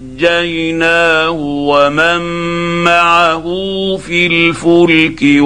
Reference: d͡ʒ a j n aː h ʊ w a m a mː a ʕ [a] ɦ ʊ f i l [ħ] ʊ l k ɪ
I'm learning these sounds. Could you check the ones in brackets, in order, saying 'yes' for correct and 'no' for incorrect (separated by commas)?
yes, no